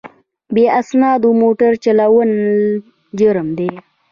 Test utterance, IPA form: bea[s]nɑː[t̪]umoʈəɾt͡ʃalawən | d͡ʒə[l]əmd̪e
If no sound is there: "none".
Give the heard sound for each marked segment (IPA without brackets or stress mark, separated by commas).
s, d̪, ɾ